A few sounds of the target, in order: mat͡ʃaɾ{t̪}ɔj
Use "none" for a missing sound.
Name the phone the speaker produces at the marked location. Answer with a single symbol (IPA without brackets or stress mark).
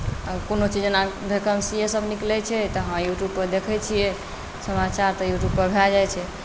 t̪